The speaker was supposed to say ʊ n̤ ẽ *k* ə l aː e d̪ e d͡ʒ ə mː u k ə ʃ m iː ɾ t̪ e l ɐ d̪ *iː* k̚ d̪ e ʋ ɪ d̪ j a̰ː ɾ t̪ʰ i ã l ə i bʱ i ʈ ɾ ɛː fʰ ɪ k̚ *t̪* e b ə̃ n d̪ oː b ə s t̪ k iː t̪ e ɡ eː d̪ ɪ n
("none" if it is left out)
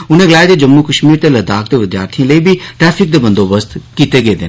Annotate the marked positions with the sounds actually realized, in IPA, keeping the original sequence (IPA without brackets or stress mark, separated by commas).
ɡ, aː, d̪